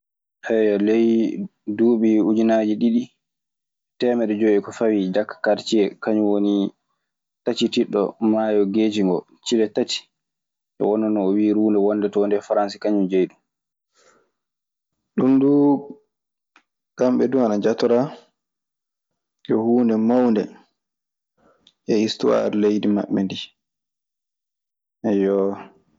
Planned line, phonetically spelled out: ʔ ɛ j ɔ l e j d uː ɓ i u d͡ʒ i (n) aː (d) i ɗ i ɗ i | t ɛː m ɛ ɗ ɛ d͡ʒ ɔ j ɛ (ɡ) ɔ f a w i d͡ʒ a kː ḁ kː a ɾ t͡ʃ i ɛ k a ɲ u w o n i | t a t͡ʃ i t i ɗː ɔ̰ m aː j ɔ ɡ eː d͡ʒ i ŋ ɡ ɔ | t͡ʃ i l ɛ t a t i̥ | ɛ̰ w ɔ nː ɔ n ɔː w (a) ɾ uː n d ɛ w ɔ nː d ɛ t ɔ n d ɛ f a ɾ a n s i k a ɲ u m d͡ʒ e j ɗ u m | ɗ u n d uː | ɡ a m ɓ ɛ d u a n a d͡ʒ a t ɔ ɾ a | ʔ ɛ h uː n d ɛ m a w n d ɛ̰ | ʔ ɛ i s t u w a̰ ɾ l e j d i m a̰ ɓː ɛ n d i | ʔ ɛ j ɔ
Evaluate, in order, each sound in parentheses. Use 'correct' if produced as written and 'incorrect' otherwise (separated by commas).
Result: correct, incorrect, incorrect, incorrect